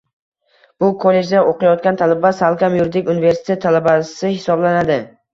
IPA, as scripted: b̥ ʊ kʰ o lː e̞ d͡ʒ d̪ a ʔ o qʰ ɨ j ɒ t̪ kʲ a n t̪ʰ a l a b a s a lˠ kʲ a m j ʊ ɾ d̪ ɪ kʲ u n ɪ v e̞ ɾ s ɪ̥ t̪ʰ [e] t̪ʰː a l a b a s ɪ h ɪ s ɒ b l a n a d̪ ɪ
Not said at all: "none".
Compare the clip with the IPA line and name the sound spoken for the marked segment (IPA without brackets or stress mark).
e